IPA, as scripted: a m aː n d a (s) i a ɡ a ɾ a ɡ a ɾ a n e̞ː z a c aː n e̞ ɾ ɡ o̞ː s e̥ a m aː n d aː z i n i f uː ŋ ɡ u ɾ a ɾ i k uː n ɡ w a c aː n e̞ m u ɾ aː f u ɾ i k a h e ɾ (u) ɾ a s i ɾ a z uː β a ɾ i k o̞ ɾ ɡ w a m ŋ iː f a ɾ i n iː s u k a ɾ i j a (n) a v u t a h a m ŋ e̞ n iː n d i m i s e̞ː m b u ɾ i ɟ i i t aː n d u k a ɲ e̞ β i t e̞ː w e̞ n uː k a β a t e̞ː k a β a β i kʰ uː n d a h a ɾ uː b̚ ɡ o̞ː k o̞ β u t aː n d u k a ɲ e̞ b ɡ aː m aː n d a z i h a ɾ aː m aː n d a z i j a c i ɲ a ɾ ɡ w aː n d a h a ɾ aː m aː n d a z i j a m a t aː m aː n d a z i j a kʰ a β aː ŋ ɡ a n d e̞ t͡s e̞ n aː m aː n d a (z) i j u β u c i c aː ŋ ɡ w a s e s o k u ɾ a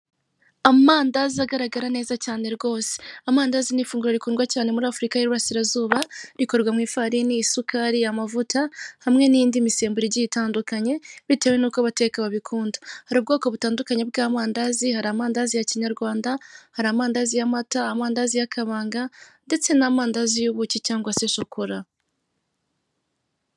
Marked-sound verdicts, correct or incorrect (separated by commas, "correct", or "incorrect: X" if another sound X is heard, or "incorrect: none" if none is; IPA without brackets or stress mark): incorrect: z, correct, incorrect: m, correct